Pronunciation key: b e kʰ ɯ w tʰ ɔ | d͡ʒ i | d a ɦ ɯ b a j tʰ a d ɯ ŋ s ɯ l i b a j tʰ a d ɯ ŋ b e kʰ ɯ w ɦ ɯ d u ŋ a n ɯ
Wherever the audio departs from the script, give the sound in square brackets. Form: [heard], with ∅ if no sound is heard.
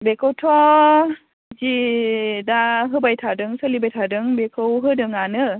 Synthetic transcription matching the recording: b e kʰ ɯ w tʰ ɔ | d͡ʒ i | d a ɦ ɯ b a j tʰ a d ɯ ŋ s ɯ l i b a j tʰ a d ɯ ŋ b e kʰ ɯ w ɦ ɯ d [ɯ] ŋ a n ɯ